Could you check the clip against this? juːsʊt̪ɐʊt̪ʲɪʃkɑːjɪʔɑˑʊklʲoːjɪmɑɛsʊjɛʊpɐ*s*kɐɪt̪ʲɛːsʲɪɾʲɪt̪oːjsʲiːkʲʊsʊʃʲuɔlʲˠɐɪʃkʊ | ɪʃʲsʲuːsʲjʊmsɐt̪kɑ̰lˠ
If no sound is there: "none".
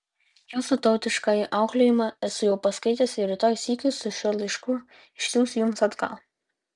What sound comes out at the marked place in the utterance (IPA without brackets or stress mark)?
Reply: s